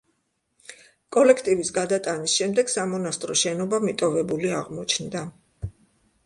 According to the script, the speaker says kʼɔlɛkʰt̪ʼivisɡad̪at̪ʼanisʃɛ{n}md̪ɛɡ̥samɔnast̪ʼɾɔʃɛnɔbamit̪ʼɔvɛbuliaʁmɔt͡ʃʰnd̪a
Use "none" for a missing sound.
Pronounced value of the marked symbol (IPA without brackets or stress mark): none